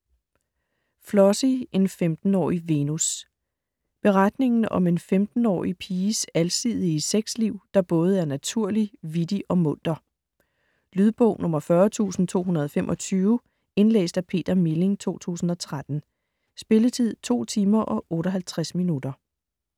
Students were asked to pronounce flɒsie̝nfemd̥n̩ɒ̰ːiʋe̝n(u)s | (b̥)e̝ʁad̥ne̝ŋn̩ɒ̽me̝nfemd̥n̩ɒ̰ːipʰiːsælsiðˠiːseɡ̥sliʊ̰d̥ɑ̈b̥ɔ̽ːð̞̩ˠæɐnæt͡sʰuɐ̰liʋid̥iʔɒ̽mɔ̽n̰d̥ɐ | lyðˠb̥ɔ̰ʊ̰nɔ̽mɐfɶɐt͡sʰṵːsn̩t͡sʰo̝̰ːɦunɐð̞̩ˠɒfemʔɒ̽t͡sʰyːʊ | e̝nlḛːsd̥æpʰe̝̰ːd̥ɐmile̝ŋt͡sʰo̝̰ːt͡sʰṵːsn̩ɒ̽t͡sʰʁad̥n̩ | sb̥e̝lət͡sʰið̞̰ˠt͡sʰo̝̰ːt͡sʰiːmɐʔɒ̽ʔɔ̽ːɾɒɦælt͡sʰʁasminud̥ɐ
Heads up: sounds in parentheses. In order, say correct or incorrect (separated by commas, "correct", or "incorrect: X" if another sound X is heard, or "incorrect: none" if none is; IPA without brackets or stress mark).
correct, correct